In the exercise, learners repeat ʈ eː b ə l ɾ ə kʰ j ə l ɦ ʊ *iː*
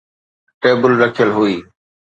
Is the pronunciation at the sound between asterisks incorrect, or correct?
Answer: correct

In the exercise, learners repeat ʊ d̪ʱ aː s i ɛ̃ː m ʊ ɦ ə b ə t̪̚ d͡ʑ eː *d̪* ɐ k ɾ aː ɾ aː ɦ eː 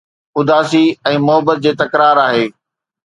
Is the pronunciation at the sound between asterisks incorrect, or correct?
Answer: incorrect: t̪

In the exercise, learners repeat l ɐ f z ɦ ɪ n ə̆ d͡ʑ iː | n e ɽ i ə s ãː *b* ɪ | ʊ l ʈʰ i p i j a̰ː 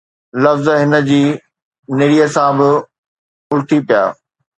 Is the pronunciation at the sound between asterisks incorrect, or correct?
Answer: correct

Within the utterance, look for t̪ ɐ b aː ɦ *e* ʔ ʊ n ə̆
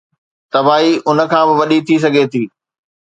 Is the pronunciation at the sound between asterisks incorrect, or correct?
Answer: incorrect: i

